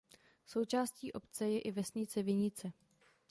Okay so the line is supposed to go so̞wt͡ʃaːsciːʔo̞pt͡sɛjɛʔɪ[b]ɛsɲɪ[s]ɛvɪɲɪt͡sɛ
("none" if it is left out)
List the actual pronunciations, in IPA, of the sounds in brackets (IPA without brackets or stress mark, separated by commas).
v, t͡s